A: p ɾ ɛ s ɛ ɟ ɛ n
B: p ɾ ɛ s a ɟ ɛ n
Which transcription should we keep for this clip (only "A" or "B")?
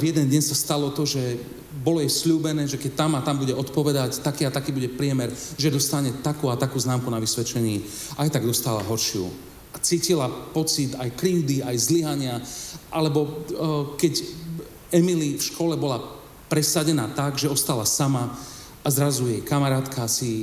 B